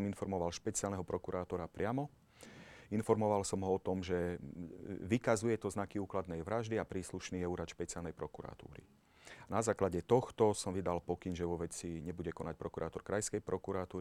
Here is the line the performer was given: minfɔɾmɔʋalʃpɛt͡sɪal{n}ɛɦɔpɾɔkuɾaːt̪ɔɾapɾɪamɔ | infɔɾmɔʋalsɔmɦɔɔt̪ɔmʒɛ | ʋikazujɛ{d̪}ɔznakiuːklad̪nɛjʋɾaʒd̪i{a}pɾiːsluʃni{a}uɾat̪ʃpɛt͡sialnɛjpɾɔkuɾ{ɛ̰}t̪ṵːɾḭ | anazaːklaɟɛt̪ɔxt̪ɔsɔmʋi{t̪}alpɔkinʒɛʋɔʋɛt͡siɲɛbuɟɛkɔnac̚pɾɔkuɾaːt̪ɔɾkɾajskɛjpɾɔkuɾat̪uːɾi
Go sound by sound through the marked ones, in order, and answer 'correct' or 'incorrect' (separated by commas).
correct, incorrect, correct, incorrect, incorrect, incorrect